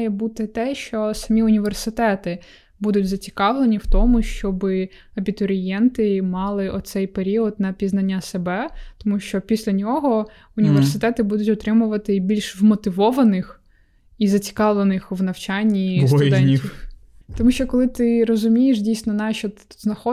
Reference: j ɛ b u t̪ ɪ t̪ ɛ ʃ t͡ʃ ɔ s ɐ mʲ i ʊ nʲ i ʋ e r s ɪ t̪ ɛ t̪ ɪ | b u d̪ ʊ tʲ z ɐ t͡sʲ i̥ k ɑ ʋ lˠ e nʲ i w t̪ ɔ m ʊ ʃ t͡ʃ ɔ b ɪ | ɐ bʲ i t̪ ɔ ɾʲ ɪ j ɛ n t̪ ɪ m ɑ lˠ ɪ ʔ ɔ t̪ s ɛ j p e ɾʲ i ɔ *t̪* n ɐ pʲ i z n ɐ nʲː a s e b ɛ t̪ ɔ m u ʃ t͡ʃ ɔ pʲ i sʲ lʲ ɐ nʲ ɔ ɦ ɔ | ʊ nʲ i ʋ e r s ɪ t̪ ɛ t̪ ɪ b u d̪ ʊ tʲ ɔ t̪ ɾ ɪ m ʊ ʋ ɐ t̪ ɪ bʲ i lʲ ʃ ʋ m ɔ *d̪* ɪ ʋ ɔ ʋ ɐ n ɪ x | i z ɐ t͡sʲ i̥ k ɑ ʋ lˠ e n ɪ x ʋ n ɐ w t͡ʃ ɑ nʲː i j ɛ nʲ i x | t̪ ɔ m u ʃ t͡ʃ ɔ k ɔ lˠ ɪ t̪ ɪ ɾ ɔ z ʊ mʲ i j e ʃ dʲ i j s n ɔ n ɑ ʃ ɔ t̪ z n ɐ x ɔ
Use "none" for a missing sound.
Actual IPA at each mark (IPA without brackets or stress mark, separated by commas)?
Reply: d̪, t̪